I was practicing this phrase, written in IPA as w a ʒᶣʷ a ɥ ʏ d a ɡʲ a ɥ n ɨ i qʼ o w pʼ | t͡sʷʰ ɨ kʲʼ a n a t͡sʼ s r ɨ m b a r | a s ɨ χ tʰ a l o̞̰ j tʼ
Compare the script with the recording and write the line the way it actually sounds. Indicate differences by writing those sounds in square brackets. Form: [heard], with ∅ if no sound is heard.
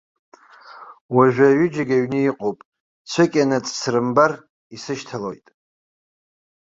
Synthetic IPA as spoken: w a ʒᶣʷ a ɥ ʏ [d͡ʒ] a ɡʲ a ɥ n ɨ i qʼ o w pʼ | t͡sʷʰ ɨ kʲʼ a n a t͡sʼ s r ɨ m b a r | [i] s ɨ [ʃ] tʰ a l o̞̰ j tʼ